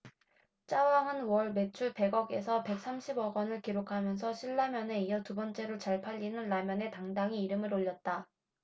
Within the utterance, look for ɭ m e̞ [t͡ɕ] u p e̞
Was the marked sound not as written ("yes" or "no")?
yes